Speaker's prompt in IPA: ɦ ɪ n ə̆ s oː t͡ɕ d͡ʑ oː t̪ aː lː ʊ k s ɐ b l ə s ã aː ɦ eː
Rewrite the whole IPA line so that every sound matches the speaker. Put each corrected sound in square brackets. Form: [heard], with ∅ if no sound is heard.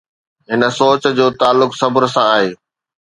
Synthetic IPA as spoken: ɦ ɪ n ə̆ s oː t͡ɕ d͡ʑ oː t̪ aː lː ʊ k s ɐ b [ɾ] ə s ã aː ɦ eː